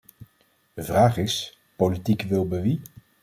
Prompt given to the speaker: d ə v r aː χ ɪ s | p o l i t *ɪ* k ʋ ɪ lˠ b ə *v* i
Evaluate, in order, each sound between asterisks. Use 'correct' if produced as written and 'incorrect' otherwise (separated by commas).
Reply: incorrect, incorrect